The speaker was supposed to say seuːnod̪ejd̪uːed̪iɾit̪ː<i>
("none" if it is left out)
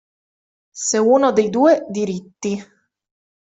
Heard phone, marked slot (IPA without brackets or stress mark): i